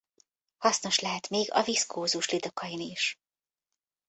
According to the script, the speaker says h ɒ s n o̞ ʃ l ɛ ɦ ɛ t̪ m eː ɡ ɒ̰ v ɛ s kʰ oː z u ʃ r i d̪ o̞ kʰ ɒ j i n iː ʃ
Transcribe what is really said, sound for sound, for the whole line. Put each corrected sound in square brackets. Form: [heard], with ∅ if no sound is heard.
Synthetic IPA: h ɒ s n o̞ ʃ l ɛ ɦ ɛ t̪ m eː ɡ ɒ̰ v [i] s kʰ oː z u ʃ [l] i d̪ o̞ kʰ ɒ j i n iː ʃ